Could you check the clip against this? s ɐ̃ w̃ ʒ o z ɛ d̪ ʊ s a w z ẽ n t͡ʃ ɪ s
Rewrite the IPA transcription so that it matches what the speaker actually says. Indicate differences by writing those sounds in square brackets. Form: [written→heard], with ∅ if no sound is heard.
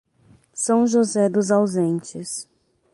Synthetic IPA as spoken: s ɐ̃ w̃ ʒ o z ɛ d̪ ʊ [s→z] a w z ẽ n t͡ʃ ɪ s